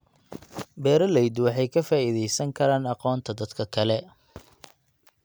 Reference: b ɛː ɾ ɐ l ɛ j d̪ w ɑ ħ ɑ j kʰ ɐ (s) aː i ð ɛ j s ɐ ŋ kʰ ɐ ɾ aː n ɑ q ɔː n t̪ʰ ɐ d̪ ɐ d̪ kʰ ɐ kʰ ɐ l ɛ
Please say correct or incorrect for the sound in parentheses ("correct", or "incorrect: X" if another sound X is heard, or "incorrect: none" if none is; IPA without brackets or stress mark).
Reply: incorrect: f